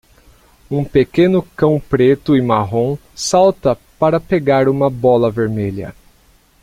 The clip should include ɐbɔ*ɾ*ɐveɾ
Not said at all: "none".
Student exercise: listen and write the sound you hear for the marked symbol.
l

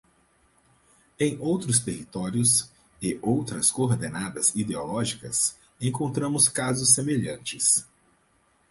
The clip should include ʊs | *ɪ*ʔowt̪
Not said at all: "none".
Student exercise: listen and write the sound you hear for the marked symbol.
ɪ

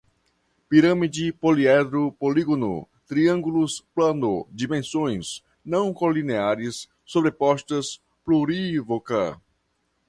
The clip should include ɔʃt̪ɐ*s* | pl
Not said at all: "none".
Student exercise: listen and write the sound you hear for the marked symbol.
s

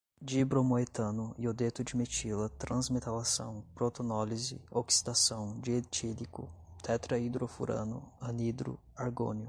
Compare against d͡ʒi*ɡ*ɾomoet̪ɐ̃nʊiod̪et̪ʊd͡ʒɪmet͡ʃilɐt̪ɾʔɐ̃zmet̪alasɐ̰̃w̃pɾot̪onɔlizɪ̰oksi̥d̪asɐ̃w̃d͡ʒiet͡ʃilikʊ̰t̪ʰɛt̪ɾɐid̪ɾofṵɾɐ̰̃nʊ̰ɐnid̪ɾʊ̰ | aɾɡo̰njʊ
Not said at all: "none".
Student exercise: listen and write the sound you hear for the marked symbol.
b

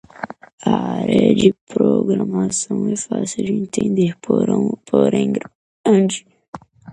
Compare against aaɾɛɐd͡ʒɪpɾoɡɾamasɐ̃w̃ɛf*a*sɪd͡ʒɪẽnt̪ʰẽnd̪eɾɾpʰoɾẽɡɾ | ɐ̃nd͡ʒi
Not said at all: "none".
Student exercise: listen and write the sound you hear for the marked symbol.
a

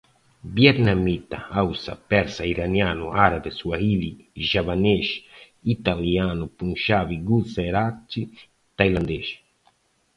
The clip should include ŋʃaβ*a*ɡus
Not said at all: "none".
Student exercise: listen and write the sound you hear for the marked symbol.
i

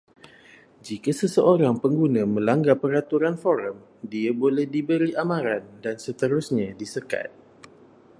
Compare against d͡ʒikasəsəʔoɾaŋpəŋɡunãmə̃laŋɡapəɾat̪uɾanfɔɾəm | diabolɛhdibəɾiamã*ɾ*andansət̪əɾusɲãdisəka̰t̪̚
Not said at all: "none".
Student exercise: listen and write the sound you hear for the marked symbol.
ɾ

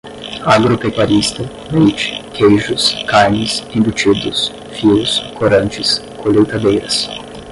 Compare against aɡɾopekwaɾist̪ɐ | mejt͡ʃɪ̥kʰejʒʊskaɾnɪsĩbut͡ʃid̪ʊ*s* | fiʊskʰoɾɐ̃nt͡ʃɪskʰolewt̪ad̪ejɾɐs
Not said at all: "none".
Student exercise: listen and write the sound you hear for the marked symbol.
s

